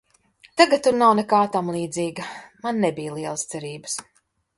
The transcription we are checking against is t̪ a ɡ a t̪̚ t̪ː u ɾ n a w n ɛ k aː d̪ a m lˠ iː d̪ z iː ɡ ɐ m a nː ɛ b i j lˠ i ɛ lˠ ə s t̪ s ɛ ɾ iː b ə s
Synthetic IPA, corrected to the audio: t̪ a ɡ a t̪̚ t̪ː u ɾ n a w n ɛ k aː t̪ a m lˠ iː d̪ z iː ɡ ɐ m a nː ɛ b i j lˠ i ɛ lˠ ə s t̪ s ɛ ɾ iː b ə s